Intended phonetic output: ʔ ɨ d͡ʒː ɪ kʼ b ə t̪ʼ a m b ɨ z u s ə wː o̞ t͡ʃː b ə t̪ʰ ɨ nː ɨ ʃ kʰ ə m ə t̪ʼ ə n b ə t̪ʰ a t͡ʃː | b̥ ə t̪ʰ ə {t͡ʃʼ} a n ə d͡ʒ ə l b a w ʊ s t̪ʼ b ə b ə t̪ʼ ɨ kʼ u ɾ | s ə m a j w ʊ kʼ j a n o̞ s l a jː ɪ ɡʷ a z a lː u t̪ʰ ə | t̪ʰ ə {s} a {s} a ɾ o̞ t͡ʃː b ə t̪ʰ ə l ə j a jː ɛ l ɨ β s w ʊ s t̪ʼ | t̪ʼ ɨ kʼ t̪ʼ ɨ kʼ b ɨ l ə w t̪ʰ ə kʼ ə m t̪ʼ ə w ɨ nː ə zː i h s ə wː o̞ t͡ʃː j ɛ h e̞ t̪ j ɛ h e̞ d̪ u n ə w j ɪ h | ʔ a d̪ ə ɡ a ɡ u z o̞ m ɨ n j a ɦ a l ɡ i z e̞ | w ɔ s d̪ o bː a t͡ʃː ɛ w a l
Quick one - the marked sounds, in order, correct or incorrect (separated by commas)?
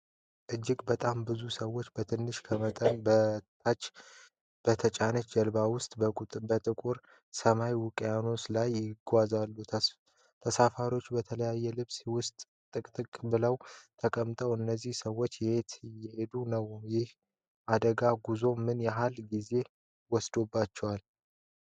correct, correct, incorrect